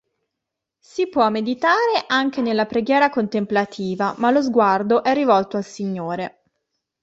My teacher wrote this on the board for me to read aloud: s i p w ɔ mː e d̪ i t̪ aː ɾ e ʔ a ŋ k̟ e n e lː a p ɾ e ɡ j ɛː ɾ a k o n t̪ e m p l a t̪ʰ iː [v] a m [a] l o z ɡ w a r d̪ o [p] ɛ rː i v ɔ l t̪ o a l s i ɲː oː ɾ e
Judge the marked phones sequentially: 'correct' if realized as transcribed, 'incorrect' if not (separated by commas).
correct, correct, incorrect